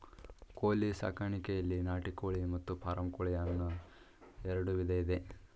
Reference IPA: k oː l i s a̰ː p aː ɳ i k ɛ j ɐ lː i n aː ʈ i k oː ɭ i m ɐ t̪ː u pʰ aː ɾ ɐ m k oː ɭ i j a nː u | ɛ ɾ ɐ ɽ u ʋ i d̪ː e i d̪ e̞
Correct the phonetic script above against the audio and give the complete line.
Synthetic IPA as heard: k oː l i s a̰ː k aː ɳ i k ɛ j ɐ lː i n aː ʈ i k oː ɭ i m ɐ t̪ː u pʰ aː ɾ ɐ m k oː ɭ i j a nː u | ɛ ɾ ɐ ɽ u ʋ i d̪ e i d̪ e̞